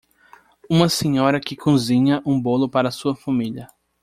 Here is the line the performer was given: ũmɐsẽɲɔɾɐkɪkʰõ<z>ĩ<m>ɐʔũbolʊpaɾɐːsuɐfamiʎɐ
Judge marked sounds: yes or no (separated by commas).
yes, no